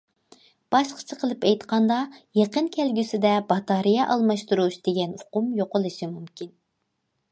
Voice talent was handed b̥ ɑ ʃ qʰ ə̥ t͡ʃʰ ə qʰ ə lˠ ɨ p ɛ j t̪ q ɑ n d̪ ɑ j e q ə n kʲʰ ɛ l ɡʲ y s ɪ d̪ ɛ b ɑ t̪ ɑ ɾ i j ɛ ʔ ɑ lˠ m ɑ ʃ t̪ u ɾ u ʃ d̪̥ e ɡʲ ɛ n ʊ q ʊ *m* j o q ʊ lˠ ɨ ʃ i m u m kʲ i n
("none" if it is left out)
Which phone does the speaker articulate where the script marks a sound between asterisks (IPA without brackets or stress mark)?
m